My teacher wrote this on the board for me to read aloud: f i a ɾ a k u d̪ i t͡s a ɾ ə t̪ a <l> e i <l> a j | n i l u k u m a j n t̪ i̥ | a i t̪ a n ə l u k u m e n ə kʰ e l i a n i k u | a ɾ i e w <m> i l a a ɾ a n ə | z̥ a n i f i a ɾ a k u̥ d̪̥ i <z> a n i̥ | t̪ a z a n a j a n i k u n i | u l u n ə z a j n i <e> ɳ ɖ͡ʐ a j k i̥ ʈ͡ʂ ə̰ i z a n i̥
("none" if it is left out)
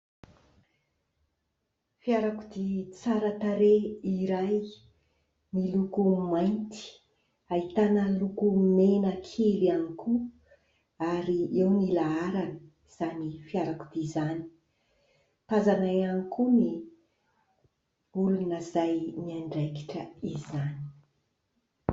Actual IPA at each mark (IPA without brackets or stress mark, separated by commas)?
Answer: ɾ, ɾ, n, z, a